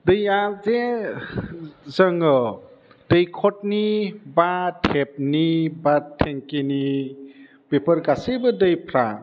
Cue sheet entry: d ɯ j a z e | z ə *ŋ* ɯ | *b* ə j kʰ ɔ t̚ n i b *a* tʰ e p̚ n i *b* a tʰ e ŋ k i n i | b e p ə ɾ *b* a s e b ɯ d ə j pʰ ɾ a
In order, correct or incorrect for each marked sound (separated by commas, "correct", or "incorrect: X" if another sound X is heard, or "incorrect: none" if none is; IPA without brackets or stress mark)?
correct, incorrect: d, correct, correct, incorrect: ɡ